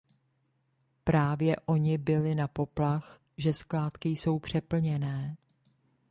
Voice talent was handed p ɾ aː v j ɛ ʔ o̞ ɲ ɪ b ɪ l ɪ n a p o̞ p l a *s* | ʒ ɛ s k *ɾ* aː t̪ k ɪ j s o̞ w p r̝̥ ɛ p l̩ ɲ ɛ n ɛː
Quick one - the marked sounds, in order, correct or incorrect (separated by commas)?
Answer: incorrect, incorrect